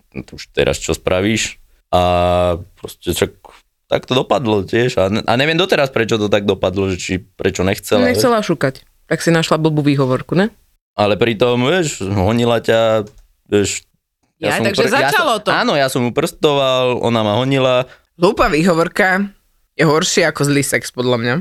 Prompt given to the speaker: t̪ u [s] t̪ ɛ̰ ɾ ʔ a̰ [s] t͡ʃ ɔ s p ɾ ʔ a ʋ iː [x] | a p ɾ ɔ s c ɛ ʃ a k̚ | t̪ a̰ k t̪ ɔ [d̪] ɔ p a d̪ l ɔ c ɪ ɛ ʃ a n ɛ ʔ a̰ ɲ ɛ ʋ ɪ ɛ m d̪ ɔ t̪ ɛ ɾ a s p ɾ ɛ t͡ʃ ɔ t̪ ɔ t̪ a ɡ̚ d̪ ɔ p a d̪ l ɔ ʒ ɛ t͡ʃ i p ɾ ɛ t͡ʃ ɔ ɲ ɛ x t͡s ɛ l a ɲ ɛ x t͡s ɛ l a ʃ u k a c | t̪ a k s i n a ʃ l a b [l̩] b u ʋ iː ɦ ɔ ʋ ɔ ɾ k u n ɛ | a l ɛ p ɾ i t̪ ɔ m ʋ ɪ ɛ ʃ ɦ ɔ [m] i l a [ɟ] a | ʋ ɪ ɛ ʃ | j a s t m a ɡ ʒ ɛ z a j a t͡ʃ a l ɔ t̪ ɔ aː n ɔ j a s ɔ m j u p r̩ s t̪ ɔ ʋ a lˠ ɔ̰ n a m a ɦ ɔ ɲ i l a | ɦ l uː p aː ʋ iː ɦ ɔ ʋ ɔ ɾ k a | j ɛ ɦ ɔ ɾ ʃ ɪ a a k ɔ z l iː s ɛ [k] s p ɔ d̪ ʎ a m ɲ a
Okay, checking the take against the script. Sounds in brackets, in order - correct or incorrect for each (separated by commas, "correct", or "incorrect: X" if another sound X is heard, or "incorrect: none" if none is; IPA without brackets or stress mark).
incorrect: ʃ, correct, incorrect: ʃ, correct, correct, incorrect: ɲ, incorrect: c, correct